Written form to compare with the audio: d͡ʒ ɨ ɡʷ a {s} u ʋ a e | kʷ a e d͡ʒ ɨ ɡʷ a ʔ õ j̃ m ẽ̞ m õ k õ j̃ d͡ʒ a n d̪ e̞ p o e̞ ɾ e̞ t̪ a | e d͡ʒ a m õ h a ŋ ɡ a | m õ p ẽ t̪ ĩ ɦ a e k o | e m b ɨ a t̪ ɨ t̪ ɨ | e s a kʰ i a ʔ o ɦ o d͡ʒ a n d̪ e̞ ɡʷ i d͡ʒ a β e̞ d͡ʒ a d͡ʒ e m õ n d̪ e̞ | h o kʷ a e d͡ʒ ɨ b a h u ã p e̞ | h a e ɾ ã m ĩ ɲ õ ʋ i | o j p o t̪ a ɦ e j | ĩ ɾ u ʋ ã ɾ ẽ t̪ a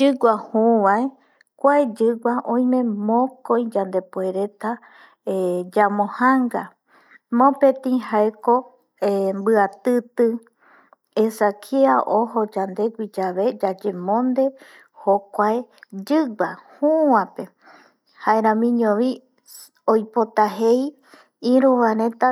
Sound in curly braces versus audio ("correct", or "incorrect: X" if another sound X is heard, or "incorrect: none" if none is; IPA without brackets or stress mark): incorrect: h